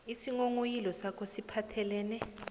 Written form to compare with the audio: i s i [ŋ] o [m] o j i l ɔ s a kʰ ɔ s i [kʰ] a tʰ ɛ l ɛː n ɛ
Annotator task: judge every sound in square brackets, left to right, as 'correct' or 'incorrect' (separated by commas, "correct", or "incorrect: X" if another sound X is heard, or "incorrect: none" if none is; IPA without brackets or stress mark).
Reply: correct, incorrect: ŋ, incorrect: pʰ